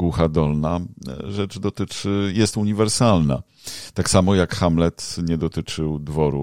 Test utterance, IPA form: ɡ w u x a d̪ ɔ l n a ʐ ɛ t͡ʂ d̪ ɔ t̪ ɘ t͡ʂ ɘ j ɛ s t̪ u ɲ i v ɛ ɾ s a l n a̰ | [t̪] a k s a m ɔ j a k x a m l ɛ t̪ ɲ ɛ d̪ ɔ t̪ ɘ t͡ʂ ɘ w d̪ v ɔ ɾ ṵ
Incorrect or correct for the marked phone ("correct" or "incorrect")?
correct